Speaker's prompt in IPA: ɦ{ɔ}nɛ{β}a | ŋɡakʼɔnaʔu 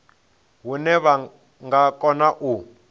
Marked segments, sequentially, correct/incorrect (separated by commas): incorrect, correct